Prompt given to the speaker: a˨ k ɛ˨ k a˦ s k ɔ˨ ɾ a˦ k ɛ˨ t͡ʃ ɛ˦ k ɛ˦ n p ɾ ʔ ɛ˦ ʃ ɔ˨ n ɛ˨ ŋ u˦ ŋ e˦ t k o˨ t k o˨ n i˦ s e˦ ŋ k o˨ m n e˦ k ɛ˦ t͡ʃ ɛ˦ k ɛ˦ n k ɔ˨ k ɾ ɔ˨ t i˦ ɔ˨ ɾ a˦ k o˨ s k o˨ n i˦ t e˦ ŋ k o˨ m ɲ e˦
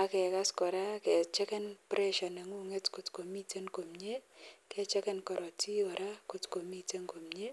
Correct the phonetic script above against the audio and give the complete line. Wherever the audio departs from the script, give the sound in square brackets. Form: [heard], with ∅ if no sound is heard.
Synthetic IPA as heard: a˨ k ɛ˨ k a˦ s k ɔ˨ ɾ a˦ k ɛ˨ t͡ʃ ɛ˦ k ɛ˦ n p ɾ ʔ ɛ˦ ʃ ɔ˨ n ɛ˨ ŋ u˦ ŋ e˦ t k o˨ t k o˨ [m] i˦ [t] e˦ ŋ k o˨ m [ɲ] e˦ k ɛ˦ t͡ʃ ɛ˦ k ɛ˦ n k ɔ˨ [∅] ɾ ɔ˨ t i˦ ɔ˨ ɾ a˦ k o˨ [t] k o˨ [m] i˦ t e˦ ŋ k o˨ m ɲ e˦